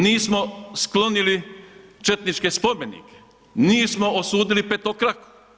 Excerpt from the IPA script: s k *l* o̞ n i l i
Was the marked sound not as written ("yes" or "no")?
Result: no